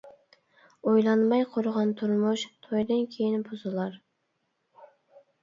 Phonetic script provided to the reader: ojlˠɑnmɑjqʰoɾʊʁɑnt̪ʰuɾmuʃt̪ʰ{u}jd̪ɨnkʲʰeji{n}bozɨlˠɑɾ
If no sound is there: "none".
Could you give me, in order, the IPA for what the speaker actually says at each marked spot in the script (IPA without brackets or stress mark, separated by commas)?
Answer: o, n